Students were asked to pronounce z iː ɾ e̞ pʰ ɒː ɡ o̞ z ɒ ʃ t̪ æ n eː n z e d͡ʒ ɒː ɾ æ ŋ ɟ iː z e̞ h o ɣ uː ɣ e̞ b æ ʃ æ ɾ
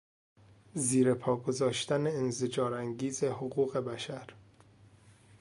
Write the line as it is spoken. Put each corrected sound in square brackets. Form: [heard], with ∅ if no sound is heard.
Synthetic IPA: z iː ɾ e̞ pʰ ɒː ɡ o̞ z [ɒː] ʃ t̪ æ n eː n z e d͡ʒ ɒː ɾ æ ŋ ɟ iː z e̞ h o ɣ uː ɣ e̞ b æ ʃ æ ɾ